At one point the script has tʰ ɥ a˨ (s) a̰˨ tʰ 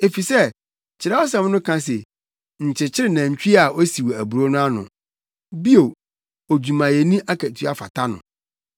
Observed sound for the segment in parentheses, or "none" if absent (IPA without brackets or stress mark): f